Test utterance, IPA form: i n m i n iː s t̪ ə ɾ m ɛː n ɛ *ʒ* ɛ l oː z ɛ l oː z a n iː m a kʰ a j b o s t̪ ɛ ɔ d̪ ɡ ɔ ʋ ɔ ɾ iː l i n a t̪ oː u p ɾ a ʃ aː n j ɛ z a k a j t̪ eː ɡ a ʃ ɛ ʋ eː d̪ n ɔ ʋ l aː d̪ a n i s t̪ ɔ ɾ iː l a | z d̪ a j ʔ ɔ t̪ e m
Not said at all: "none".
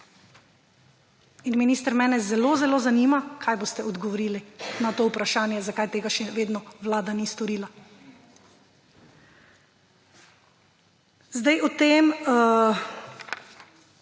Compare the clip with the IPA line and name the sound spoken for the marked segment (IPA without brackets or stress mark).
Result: z